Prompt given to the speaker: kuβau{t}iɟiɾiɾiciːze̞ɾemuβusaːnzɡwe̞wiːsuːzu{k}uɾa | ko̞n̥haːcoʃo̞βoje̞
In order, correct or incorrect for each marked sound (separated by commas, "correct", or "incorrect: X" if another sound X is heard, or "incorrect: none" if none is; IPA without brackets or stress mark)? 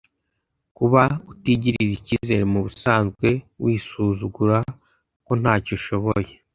correct, incorrect: ɡ